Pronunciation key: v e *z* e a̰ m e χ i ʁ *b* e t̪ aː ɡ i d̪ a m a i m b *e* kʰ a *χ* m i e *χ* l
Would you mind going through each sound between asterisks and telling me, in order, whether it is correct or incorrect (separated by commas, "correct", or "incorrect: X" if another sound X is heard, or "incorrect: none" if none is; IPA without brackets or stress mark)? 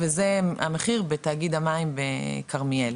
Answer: correct, correct, correct, incorrect: ʁ, incorrect: none